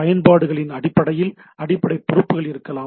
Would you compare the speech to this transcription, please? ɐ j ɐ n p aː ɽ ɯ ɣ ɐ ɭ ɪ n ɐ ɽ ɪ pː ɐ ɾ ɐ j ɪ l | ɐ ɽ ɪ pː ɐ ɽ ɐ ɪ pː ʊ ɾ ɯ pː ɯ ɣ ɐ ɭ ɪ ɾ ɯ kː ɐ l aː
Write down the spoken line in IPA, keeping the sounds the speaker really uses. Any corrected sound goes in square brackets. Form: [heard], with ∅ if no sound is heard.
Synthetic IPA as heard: ɐ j ɐ n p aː ɽ ɯ ɣ ɐ ɭ ɪ n ɐ ɽ ɪ pː ɐ [ɽ] ɐ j ɪ l | ɐ ɽ ɪ pː ɐ ɽ ɐ ɪ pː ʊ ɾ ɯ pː ɯ ɣ ɐ ɭ ɪ ɾ ɯ kː ɐ l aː